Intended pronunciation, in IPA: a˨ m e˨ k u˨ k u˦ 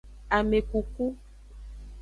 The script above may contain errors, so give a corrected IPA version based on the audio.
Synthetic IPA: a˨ m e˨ k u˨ k u˦